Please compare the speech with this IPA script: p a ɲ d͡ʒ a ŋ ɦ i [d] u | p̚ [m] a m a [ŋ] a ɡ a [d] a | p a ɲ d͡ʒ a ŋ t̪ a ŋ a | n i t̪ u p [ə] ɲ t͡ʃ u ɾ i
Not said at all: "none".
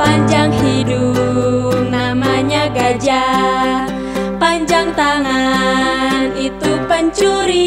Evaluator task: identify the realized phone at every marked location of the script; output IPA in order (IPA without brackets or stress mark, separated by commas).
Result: d, n, ɲ, d͡ʒ, ə